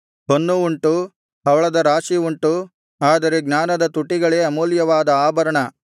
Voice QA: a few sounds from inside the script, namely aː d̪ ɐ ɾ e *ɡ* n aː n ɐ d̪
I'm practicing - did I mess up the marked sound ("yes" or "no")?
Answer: no